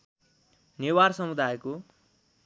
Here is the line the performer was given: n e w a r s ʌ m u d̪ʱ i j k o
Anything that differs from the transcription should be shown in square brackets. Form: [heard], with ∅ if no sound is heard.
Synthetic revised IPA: n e w a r s ʌ m u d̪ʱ [a] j k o